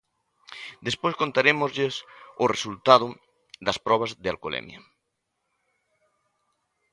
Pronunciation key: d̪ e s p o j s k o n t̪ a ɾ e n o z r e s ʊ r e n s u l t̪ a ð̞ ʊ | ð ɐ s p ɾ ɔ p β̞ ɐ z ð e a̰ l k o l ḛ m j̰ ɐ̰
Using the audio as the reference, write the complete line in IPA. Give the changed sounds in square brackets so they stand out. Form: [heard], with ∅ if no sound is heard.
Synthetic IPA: d̪ e s p o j s k o n t̪ a ɾ e [m] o z [ʎ] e s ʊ r e [∅] s u l t̪ a ð̞ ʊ | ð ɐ s p ɾ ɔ [∅] β̞ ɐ z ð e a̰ l k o l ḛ m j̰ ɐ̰